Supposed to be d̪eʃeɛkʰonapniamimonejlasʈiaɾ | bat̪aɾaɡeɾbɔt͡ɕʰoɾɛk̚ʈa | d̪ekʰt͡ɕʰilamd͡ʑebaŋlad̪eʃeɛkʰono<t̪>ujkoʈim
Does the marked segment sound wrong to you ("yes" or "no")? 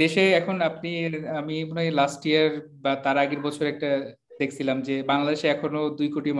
yes